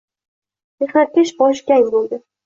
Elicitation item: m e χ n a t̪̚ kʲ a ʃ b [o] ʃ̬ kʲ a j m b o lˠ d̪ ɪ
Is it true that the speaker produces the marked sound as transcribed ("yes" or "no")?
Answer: no